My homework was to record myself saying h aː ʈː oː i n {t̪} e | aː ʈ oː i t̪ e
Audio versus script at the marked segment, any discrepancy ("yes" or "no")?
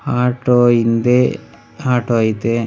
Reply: yes